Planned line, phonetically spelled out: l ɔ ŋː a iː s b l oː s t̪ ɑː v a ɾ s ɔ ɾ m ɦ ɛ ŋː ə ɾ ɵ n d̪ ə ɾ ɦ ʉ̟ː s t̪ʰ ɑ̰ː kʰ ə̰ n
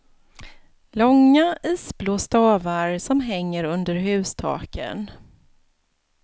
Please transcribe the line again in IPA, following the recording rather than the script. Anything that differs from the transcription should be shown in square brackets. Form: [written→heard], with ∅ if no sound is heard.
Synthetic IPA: l ɔ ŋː a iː s b l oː s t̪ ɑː v a ɾ s ɔ [ɾ→∅] m ɦ ɛ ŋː ə ɾ ɵ n d̪ ə ɾ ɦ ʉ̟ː s t̪ʰ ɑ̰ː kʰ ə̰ n